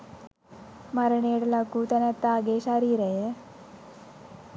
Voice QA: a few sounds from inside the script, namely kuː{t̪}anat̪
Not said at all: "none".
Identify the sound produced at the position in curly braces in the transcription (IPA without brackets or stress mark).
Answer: t̪